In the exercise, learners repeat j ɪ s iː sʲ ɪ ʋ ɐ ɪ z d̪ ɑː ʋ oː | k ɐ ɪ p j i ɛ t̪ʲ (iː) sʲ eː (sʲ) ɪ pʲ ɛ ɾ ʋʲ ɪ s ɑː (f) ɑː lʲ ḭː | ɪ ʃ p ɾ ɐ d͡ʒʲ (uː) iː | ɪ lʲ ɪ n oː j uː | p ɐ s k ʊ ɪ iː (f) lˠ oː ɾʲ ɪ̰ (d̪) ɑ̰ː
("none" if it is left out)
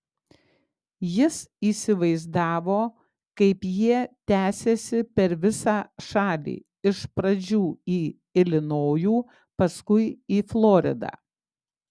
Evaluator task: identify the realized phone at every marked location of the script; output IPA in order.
æː, sʲ, ʃ, uː, f, d̪

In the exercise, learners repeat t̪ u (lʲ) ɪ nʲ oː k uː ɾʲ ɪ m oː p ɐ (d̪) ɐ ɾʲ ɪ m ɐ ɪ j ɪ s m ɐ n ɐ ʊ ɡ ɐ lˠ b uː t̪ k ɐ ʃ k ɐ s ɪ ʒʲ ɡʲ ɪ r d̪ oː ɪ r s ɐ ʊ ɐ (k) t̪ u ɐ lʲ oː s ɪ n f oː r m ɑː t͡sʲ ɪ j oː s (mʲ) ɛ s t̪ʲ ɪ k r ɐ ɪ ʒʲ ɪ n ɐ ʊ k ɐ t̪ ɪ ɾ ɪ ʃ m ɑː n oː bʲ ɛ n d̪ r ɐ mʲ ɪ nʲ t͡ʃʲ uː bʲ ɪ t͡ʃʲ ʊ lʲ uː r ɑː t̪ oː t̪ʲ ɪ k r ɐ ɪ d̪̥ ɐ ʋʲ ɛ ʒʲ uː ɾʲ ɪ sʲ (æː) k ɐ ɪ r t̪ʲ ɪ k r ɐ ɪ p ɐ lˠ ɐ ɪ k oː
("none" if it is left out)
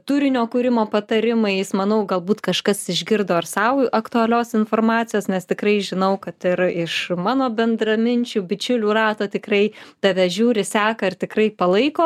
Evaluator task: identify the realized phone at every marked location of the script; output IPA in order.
ɾʲ, t̪, k, nʲ, æː

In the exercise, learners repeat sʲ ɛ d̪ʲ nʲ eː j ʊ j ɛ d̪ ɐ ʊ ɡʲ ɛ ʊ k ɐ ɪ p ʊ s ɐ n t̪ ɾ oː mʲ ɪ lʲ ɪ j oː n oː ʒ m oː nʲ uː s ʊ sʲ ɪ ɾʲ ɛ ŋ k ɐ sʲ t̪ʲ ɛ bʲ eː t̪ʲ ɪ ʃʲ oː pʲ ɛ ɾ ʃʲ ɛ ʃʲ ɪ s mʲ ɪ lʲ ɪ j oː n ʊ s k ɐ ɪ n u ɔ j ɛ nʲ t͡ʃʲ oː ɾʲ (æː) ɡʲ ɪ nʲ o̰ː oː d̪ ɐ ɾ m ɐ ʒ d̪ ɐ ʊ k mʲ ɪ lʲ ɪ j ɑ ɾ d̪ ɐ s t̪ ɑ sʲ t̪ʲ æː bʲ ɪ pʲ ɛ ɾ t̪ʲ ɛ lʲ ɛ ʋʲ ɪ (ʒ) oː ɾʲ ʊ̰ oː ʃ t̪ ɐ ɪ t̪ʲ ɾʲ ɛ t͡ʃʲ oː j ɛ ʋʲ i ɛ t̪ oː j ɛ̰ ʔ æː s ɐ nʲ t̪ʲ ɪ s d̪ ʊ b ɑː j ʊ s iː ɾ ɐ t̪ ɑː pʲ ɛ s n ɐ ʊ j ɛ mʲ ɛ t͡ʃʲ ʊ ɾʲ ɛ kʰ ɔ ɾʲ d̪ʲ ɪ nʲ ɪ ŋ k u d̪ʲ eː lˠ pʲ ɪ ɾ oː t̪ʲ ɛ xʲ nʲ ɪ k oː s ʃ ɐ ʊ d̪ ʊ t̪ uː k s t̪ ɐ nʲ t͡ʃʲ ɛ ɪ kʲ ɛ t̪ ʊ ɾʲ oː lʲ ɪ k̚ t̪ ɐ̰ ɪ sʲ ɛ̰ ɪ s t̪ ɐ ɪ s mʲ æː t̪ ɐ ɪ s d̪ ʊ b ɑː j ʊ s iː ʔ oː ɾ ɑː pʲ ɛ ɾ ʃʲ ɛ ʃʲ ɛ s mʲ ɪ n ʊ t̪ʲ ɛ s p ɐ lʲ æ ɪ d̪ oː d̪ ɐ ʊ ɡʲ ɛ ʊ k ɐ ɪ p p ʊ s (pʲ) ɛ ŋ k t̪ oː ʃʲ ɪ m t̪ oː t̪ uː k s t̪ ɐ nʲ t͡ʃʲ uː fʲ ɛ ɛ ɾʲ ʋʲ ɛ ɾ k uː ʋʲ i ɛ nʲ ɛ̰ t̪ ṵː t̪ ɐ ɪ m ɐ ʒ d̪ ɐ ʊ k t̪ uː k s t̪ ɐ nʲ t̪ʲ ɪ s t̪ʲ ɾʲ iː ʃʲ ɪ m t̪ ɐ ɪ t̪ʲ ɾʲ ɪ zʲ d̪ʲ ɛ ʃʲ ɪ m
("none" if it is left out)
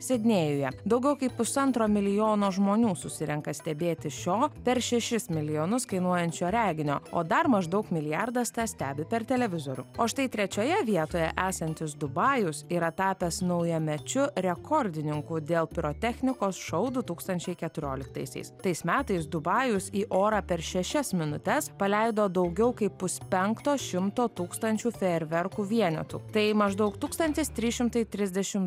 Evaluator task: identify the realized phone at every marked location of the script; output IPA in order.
æː, z, pʲ

